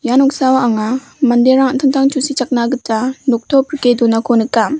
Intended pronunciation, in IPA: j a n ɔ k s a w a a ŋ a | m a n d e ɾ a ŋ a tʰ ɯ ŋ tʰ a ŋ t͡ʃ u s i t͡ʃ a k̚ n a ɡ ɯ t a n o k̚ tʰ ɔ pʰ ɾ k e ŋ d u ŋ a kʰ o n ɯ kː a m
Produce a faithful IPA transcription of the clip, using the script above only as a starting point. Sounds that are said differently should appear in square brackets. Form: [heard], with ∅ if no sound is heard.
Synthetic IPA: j a n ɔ k s a w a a ŋ a | m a n d e ɾ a ŋ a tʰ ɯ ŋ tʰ a ŋ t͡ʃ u s i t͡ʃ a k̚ n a ɡ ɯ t a n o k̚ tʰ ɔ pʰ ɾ k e [∅] d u [n] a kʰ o n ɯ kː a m